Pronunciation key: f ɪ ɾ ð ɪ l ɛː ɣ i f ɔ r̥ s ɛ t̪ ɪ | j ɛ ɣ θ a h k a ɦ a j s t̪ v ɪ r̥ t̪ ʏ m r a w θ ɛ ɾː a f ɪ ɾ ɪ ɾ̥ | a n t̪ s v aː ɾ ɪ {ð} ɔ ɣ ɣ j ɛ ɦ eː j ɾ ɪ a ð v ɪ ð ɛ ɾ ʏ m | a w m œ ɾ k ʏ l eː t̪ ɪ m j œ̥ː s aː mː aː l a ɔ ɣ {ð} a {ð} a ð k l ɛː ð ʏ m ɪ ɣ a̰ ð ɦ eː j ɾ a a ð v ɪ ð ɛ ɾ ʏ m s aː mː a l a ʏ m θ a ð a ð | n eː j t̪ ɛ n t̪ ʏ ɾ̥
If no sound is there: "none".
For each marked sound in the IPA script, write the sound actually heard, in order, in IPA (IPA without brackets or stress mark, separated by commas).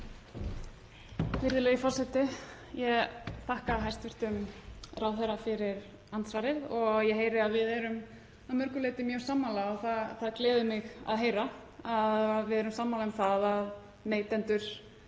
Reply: ð, θ, θ